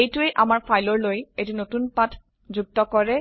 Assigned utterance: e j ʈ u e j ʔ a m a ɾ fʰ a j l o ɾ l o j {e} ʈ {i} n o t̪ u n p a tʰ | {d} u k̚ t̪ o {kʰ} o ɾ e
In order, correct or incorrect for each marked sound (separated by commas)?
correct, correct, incorrect, incorrect